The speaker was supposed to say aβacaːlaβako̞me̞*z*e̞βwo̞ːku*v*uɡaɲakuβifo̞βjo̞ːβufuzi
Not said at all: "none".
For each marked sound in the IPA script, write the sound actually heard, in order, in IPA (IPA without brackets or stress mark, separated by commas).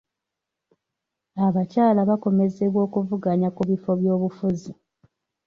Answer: z, v